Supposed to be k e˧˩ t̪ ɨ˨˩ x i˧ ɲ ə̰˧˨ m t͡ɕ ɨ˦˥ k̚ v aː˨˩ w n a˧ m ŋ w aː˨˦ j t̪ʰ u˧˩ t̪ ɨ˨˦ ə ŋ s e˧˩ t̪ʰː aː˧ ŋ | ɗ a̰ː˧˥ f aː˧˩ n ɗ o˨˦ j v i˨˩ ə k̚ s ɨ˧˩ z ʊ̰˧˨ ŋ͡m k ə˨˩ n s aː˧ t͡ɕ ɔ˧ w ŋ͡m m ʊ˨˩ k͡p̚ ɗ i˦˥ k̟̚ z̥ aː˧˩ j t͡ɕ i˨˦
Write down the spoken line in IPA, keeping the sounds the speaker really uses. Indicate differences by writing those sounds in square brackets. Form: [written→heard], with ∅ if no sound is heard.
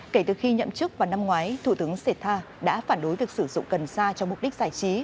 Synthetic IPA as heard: k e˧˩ t̪ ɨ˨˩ x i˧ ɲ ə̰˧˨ m t͡ɕ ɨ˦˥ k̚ v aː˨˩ w n a˧ m ŋ w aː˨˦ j t̪ʰ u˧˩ t̪ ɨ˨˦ ə ŋ s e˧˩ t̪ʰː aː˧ [ŋ→∅] | ɗ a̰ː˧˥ f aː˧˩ n ɗ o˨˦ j v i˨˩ ə k̚ s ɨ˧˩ z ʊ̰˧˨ ŋ͡m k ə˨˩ n s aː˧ t͡ɕ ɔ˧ w ŋ͡m m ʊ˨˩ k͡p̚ ɗ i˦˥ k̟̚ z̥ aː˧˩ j t͡ɕ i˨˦